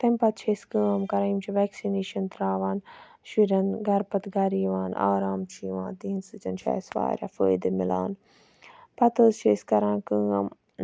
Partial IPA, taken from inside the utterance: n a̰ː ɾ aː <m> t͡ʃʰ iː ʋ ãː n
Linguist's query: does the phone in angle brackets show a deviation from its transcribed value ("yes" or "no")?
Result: no